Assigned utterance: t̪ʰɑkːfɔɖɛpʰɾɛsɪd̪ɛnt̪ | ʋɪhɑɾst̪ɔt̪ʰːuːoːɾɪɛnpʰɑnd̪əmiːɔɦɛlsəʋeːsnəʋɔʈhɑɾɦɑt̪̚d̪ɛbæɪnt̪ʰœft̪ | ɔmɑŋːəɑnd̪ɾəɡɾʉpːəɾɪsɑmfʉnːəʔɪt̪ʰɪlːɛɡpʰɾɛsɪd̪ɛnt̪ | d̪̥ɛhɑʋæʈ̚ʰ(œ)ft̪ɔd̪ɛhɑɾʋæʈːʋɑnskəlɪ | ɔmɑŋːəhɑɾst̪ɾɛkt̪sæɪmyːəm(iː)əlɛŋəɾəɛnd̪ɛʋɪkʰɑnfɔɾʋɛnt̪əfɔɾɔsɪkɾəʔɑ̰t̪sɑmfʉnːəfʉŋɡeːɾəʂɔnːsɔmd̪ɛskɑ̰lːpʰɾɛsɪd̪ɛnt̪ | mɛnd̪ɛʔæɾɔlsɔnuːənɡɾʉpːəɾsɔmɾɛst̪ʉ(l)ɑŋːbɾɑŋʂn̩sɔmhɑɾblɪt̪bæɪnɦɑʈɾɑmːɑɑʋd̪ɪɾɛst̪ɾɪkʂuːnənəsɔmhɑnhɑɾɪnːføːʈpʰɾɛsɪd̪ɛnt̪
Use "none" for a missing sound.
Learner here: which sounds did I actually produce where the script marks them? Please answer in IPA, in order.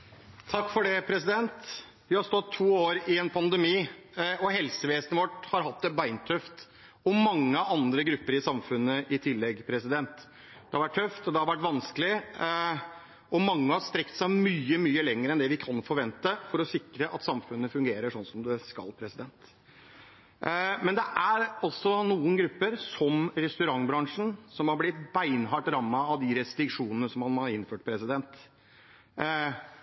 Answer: œ, yː, ɾ

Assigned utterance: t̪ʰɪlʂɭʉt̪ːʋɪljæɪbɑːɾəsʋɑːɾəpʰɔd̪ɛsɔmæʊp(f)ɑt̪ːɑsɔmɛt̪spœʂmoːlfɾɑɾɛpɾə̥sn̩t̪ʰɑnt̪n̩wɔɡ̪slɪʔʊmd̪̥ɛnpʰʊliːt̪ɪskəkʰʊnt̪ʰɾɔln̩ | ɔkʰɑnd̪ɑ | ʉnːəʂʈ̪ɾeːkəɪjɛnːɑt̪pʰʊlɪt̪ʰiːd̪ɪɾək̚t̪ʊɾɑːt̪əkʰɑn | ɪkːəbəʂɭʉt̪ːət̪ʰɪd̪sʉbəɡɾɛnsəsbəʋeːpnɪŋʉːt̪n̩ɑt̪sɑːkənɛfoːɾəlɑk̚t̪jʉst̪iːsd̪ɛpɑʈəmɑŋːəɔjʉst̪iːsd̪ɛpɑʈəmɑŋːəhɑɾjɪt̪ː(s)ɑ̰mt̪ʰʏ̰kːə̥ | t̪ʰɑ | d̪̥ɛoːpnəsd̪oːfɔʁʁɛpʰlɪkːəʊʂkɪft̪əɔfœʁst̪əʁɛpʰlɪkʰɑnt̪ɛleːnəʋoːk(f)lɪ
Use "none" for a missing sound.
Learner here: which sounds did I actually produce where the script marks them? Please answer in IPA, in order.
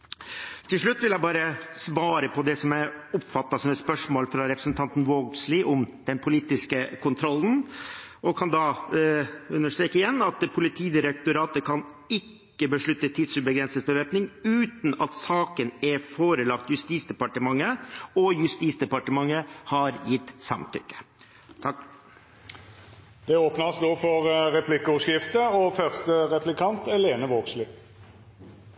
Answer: f, s, s

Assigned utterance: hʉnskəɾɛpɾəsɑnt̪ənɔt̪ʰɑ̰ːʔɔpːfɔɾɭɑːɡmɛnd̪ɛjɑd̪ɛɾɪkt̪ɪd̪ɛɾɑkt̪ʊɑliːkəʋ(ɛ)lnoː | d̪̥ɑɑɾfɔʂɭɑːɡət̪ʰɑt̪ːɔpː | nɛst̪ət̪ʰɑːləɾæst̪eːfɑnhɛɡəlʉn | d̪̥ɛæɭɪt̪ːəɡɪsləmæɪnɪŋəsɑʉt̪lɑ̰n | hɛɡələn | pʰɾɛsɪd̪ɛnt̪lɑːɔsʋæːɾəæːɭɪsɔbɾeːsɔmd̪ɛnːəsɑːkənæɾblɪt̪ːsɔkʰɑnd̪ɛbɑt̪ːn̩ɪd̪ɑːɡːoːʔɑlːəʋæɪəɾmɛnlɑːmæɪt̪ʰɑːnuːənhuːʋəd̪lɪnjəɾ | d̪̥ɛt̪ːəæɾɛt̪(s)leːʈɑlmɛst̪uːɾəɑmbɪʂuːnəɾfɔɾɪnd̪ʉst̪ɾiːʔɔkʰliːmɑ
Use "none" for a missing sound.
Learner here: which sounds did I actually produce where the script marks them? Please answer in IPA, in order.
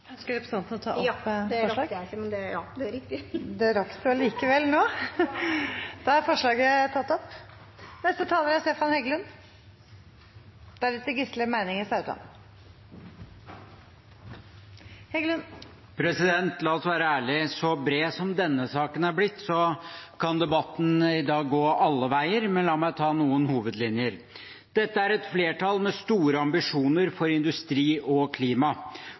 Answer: ɛ, f

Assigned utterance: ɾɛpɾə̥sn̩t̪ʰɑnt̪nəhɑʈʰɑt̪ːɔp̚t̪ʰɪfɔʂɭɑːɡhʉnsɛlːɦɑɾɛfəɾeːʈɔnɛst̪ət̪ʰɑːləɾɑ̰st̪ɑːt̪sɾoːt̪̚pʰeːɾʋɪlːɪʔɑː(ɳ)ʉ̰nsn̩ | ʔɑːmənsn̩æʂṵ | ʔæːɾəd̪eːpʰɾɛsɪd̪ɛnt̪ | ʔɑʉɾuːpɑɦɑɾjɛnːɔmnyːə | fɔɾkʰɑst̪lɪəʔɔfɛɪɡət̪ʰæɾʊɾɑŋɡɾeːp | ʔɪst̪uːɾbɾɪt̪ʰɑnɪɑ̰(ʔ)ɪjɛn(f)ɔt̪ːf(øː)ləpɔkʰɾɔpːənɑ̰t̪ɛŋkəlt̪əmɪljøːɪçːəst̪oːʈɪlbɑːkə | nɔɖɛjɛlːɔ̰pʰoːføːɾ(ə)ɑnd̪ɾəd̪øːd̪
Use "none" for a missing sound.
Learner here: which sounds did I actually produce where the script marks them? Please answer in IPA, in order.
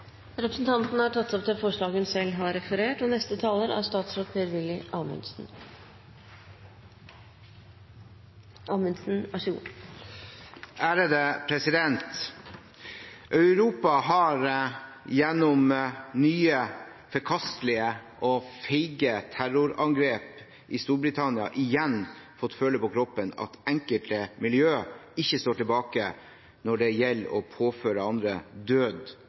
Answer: m, ʔ, f, øː, ə

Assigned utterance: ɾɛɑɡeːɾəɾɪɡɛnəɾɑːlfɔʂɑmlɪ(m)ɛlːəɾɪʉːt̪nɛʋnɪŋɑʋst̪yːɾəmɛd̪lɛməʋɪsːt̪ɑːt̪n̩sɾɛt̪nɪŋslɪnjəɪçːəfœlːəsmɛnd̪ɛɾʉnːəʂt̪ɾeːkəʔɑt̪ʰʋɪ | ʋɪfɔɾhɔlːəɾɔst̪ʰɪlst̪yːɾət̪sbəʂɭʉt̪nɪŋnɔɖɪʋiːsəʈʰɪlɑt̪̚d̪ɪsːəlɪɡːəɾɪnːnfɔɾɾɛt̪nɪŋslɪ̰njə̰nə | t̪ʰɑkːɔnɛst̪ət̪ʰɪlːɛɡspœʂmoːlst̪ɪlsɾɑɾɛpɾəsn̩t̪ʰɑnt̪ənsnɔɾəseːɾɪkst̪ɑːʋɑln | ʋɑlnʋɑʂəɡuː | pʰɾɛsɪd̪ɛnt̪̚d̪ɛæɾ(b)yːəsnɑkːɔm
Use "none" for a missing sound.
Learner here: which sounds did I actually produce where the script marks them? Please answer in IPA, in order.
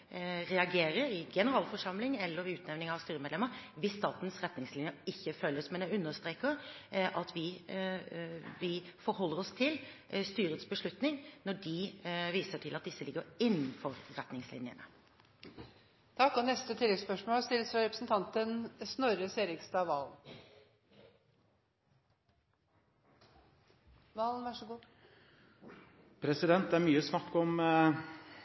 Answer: ŋ, m

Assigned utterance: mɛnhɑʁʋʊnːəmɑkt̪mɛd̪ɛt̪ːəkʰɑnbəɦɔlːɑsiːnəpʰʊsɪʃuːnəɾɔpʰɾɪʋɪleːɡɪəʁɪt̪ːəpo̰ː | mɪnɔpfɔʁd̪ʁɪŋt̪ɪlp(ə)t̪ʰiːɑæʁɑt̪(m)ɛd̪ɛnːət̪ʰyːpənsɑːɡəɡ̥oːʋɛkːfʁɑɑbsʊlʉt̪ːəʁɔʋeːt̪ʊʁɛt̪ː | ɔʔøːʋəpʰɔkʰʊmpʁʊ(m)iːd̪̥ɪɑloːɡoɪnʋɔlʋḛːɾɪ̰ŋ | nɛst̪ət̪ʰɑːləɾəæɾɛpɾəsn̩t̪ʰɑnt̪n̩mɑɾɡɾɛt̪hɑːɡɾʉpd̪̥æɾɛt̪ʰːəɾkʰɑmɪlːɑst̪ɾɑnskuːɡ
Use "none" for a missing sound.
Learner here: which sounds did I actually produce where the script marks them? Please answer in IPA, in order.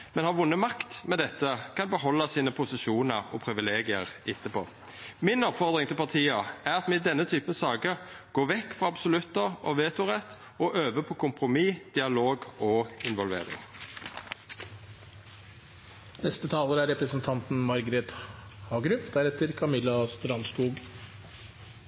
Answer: ɑ, m, m

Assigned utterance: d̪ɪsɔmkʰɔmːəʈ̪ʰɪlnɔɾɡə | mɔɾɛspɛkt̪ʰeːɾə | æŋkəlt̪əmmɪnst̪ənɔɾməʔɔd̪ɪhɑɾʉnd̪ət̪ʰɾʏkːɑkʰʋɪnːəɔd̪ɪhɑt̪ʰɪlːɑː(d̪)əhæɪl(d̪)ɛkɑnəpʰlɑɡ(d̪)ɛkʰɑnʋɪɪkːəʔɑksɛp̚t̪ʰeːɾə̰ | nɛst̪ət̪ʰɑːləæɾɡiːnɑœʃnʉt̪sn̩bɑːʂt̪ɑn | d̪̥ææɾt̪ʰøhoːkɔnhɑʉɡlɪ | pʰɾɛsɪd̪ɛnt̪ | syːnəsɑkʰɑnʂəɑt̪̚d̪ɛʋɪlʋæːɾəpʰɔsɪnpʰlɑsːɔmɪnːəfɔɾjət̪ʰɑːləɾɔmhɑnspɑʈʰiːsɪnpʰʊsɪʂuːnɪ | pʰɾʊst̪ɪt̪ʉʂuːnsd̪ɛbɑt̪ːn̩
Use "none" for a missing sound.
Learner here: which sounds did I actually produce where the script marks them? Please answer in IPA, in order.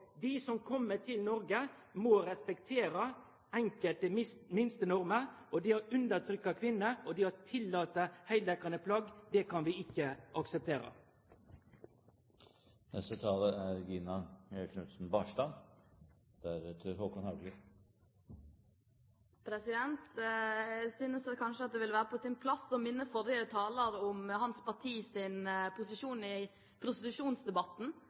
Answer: t̪, d̪, d̪

